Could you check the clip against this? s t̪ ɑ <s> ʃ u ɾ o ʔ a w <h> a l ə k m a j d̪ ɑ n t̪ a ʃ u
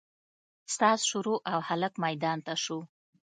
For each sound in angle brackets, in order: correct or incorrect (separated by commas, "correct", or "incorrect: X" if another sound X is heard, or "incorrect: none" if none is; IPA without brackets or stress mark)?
correct, correct